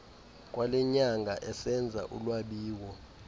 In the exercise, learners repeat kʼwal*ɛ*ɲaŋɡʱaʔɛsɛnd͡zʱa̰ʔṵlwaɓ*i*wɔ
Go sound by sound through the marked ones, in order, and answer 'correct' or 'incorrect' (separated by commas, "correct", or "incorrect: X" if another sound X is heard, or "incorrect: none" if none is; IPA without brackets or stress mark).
correct, incorrect: iː